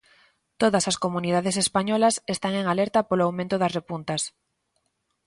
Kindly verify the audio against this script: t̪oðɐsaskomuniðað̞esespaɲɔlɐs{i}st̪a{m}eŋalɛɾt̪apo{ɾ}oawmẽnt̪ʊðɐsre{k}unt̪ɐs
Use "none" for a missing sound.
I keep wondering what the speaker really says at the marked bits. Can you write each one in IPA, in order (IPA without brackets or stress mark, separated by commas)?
e, ŋ, l, p